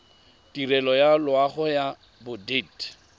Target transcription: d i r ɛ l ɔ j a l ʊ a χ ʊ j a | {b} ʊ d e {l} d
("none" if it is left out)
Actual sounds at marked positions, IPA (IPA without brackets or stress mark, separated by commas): b, none